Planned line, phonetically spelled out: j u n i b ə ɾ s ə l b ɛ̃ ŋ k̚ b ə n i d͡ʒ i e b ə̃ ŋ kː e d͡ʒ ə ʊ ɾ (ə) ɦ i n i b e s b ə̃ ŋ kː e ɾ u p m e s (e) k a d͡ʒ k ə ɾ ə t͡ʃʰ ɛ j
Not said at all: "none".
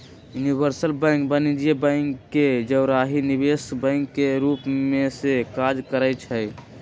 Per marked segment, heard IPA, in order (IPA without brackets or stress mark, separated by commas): a, e